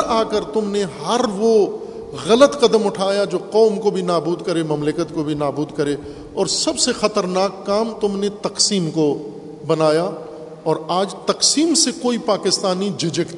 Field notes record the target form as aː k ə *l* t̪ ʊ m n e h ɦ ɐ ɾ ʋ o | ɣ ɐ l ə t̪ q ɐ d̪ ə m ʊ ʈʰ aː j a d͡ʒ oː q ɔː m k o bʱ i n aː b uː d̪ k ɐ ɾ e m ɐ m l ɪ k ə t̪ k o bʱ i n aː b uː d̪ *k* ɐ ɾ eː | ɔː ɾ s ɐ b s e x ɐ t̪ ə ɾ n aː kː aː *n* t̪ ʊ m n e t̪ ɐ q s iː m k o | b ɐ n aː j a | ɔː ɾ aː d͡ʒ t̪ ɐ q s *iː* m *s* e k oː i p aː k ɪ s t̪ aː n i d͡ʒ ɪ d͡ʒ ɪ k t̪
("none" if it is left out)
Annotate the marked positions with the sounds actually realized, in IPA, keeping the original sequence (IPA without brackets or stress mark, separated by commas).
ɾ, k, m, iː, s